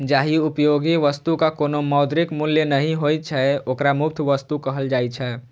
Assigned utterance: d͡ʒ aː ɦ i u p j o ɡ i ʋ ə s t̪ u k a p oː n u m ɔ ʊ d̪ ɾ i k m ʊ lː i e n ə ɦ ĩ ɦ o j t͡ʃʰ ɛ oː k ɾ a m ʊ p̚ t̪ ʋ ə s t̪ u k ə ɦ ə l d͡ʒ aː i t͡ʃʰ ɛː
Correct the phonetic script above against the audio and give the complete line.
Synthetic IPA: d͡ʒ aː ɦ i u p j o ɡ i ʋ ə s t̪ u k a k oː n o m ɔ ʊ d̪ ɾ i k m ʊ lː j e n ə ɦ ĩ ɦ o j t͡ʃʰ ɛ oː k ɾ a m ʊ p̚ t̪ʰ ʋ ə s t̪ u k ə ɦ ə l d͡ʒ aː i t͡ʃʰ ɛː